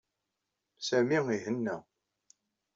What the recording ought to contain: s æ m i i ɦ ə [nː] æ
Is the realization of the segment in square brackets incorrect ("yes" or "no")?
no